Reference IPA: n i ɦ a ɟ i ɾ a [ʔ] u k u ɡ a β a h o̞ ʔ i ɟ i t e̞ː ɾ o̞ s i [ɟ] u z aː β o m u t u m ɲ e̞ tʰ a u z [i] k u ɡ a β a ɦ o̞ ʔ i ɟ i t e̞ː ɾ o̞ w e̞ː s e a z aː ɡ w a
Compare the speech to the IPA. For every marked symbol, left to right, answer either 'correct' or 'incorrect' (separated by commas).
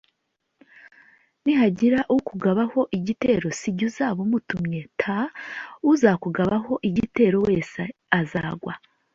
correct, correct, incorrect